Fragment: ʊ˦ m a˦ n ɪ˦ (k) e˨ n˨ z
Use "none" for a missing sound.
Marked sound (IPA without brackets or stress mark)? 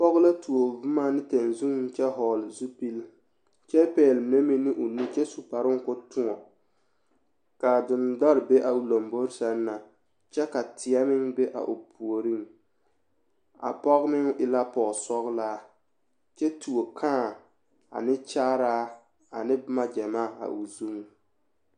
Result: t